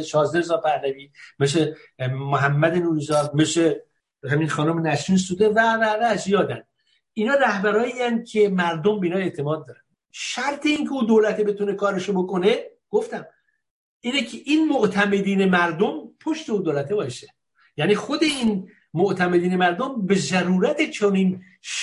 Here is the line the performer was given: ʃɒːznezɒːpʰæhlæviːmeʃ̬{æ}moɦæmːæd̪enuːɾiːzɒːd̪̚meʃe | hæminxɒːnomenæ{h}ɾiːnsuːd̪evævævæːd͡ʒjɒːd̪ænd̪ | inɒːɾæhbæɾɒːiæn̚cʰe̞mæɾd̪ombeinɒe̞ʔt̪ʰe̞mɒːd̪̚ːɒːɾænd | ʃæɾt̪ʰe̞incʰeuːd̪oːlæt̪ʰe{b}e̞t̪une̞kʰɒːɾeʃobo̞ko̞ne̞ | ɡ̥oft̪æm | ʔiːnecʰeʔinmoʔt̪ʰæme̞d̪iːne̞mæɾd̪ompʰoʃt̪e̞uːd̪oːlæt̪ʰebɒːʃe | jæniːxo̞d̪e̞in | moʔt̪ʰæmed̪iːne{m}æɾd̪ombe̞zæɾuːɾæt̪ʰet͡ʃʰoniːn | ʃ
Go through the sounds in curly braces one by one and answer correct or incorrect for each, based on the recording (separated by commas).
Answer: incorrect, incorrect, correct, correct